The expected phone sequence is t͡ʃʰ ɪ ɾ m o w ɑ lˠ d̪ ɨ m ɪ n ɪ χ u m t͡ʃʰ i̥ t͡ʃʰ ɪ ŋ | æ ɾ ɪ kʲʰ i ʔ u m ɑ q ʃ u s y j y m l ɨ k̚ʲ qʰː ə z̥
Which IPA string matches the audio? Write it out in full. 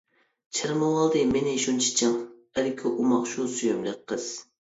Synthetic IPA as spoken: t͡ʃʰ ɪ ɾ m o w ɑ lˠ d̪ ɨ m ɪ n ɪ ʃ u n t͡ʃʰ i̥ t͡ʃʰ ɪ ŋ | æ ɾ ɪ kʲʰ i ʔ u m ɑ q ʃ u s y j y m l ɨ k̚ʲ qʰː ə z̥